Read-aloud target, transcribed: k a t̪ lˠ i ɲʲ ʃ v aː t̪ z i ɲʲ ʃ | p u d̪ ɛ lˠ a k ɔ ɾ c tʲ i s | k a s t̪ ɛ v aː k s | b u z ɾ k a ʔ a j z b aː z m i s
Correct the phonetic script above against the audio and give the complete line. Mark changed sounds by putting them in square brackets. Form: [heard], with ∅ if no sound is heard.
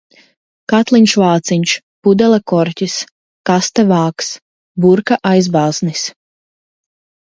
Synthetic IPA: k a t̪ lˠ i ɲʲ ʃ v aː t̪ [s] i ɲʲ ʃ | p u d̪ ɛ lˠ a k ɔ ɾ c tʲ i s | k a s t̪ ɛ v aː k s | b u [∅] ɾ k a ʔ a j z b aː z [n] i s